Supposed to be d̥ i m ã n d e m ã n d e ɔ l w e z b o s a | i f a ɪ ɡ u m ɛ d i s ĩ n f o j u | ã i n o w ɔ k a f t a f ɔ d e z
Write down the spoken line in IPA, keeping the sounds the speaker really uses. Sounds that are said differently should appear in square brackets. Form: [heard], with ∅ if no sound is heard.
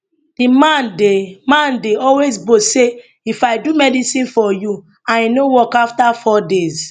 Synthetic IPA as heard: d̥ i m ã n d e m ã n d e ɔ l w e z b o s [e] | i f a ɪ [d] u m ɛ d i s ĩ n f [ɔ] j u | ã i n o w ɔ k a f t a f ɔ d e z